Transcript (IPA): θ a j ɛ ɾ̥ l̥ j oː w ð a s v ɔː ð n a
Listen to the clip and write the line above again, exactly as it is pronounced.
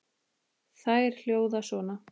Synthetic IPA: θ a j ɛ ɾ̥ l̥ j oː w ð a s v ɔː n a